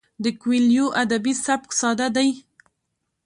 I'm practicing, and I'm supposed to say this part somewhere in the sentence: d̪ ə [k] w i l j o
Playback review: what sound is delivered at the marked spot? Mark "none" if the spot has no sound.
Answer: k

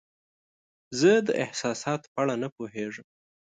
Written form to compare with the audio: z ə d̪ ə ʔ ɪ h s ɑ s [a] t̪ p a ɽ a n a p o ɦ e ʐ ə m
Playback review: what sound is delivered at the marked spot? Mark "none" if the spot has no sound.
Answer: ɑ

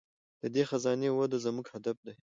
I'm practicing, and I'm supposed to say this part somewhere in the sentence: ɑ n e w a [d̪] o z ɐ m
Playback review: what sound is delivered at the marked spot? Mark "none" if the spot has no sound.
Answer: d̪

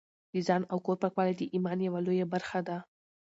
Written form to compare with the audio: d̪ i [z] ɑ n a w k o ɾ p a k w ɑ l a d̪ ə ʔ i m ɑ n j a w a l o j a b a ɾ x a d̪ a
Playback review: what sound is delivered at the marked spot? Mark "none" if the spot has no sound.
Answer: z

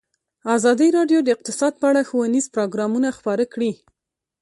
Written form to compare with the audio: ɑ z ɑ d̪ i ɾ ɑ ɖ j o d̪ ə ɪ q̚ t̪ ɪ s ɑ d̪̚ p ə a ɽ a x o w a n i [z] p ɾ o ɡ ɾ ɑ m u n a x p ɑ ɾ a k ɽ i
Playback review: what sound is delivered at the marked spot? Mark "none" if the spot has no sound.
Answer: z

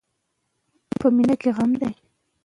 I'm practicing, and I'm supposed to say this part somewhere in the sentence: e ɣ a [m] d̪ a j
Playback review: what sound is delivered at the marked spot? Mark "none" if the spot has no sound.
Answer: m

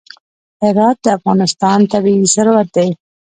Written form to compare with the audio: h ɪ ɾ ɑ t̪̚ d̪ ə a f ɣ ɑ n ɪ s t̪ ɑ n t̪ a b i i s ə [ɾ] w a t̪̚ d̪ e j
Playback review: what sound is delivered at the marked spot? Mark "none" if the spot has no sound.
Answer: ɾ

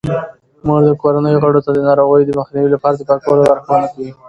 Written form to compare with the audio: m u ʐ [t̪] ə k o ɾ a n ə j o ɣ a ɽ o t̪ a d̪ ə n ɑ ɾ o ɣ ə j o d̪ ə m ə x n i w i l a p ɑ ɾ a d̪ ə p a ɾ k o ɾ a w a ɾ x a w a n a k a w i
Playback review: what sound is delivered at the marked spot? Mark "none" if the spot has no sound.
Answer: d̪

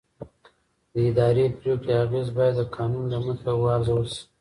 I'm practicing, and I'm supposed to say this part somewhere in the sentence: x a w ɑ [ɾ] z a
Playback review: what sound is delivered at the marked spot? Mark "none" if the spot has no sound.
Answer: ɾ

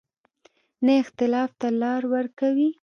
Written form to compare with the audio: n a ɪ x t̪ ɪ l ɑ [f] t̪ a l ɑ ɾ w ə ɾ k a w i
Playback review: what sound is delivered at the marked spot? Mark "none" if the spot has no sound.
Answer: f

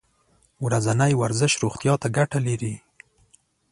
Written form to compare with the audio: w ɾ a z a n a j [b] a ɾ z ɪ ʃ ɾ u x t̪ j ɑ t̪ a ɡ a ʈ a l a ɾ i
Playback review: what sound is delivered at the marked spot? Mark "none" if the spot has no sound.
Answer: w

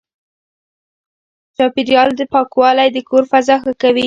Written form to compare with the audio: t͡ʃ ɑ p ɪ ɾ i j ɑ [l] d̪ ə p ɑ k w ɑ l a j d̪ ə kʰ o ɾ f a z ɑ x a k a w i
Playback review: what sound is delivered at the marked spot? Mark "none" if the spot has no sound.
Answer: l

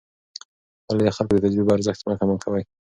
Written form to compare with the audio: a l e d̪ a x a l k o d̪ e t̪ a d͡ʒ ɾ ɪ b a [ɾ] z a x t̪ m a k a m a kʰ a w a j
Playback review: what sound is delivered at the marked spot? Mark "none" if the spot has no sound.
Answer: ɾ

